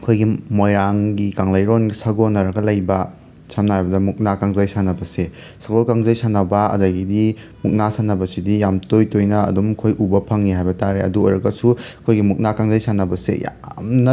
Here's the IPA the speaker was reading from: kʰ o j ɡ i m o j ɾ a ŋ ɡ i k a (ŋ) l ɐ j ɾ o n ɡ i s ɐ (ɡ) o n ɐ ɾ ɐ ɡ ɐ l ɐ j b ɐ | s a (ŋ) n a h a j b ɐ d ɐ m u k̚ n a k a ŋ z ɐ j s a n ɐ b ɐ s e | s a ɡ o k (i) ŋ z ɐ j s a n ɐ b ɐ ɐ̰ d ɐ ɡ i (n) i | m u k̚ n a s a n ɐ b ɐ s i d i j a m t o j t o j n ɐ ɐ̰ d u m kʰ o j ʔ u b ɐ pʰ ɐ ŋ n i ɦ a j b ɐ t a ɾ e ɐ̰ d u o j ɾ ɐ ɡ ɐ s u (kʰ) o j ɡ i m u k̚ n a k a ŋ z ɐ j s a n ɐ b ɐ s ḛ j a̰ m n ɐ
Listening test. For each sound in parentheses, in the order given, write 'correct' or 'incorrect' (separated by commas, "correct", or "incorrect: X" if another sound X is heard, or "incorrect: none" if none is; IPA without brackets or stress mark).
correct, correct, incorrect: m, incorrect: a, incorrect: d, correct